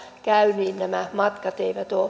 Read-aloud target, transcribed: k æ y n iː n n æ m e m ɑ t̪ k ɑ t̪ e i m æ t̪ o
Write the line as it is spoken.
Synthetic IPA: k æ y n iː n n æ m æ m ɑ t̪ k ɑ t̪ e i m æ t̪ o